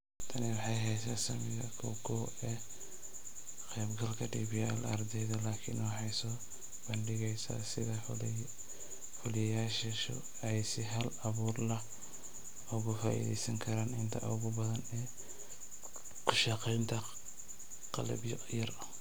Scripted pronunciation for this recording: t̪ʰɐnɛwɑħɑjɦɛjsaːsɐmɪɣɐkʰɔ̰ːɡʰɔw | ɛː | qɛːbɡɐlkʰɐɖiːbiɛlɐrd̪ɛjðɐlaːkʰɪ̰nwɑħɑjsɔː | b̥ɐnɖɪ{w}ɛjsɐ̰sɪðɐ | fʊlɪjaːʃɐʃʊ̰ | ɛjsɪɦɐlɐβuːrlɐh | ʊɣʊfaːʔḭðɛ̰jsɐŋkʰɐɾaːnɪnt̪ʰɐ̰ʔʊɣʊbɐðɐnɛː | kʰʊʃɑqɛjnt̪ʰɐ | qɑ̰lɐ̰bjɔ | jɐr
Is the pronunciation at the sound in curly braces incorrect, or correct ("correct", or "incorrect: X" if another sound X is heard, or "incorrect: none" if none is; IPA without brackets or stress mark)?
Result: incorrect: ɣ